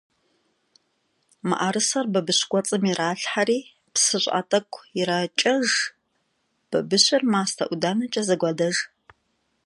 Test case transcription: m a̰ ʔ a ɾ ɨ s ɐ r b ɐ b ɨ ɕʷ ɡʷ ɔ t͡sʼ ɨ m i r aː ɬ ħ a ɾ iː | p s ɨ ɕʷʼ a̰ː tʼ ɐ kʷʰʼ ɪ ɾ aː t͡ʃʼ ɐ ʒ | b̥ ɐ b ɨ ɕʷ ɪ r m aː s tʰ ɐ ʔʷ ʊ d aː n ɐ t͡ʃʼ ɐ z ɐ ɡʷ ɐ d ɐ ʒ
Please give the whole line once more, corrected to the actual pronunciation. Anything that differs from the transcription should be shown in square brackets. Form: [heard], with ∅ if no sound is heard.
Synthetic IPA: m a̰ ʔ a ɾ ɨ s ɐ r b ɐ b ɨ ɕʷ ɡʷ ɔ t͡sʼ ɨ m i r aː ɬ ħ a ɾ iː | p s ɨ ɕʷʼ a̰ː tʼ ɐ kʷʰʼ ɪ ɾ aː t͡ʃʼ ɐ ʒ | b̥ ɐ b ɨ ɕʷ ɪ r m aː s tʰ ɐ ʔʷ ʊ d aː n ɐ t͡ʃʼ ɐ z ɐ ɡʷ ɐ d ɐ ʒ